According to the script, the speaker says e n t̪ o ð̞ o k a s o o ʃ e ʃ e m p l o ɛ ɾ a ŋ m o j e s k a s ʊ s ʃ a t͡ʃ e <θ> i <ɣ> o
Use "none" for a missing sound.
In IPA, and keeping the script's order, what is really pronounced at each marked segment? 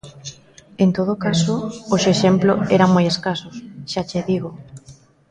ð, ɣ

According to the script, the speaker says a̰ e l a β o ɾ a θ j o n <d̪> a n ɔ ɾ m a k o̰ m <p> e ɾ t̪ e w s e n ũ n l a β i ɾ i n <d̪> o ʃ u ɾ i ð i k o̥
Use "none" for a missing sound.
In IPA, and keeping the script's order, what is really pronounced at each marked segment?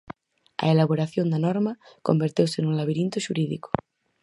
d̪, b, t̪

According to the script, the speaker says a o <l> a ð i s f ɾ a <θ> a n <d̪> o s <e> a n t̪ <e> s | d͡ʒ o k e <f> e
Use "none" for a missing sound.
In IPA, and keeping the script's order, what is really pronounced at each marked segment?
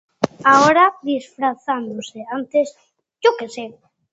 ɾ, θ, d̪, e, e, s

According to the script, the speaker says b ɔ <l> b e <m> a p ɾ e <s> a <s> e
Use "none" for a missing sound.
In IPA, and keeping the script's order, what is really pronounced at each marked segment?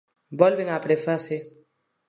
l, ŋ, f, s

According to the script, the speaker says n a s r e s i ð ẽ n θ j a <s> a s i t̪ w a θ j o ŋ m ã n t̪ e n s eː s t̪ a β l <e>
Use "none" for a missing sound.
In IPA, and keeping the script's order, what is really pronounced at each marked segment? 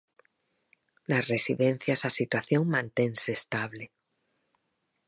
s, e

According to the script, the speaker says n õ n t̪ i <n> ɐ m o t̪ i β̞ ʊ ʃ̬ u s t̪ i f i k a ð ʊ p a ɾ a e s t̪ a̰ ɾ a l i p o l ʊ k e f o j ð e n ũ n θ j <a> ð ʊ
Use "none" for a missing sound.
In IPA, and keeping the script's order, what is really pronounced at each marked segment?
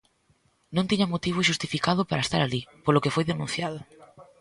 ɲ, a

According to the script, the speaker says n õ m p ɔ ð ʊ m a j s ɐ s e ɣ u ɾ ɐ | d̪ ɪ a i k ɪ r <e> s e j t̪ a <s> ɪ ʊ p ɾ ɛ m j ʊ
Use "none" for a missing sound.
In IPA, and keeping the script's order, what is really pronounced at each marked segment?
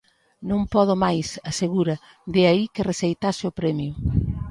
e, s

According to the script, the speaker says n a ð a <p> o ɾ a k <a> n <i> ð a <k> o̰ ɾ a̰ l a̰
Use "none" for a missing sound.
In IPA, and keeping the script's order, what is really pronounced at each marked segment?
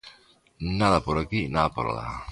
p, i, a, p

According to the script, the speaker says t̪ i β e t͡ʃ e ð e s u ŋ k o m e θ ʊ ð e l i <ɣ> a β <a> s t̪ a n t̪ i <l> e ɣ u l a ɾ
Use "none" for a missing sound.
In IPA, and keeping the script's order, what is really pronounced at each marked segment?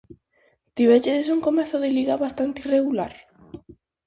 ɣ, a, r

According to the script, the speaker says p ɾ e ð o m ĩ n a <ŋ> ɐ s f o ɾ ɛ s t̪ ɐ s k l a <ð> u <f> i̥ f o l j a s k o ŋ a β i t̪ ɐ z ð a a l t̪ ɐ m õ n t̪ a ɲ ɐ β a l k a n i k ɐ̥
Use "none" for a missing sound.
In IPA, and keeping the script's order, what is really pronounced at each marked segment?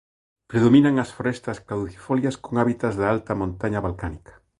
ŋ, ð, θ

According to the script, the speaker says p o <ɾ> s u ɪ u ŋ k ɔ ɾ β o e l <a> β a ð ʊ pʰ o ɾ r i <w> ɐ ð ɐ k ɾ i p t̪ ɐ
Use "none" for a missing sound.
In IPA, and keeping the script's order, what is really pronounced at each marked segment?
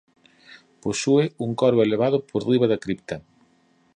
none, e, β

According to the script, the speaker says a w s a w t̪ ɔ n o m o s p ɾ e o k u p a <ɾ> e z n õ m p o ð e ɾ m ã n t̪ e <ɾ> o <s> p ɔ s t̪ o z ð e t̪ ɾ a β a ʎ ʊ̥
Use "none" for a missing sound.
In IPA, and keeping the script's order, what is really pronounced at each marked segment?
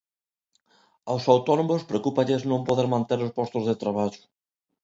ʎ, ɾ, s

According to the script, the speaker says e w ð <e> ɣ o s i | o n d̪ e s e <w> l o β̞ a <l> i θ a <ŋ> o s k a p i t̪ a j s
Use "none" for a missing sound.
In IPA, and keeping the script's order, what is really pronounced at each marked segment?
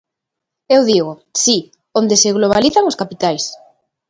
i, ɣ, l, ŋ

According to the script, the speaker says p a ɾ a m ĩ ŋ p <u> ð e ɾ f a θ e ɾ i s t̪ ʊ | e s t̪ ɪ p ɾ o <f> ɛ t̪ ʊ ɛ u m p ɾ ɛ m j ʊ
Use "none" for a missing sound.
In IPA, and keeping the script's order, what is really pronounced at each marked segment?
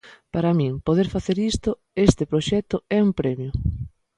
o, ʃ

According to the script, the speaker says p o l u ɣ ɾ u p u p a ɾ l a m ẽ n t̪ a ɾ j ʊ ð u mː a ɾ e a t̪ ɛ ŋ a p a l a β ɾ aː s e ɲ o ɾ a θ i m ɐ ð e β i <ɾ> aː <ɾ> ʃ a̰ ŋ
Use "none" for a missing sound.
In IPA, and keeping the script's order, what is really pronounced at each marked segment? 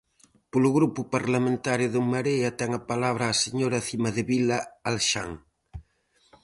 l, l

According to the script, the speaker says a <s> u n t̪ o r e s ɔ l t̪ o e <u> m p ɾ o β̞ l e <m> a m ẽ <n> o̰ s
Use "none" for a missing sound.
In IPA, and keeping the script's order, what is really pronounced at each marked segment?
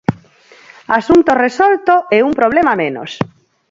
s, u, m, n

